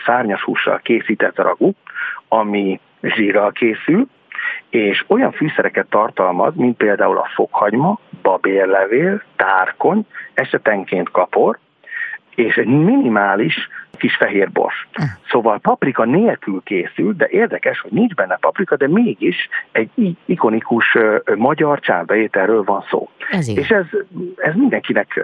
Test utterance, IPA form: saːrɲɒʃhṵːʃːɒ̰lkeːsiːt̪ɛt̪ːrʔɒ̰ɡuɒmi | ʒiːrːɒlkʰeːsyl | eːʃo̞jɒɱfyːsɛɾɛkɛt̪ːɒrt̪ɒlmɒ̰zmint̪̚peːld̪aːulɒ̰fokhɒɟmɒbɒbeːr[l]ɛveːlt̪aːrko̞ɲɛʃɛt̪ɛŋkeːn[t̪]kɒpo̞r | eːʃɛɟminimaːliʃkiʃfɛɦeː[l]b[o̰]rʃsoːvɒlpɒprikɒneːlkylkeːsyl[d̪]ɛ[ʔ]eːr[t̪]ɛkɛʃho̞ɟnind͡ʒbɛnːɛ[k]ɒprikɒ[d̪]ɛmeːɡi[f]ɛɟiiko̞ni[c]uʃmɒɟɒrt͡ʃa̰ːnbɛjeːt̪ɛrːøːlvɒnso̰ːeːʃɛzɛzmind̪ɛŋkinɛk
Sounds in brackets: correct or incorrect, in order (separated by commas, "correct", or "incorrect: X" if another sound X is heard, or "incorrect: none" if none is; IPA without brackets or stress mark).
correct, correct, incorrect: r, correct, correct, correct, incorrect: d̪, incorrect: p, correct, incorrect: ʃ, incorrect: k